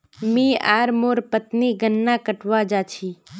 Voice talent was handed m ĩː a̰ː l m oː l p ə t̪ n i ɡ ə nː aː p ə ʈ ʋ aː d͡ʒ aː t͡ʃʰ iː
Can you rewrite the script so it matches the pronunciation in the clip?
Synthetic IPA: m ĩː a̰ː ɾ m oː ɾ p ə t̪ n i ɡ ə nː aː k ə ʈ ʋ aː d͡ʒ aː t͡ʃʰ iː